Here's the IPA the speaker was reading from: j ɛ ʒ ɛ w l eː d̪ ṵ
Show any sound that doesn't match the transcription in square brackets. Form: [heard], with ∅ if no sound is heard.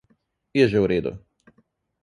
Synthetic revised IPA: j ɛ ʒ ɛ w [ɾ] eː d̪ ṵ